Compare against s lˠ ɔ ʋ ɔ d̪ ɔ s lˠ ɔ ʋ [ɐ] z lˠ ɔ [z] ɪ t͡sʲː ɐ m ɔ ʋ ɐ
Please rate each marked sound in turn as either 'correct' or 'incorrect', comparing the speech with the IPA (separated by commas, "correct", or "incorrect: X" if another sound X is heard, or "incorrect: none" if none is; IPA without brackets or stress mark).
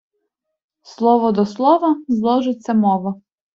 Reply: correct, incorrect: ʒ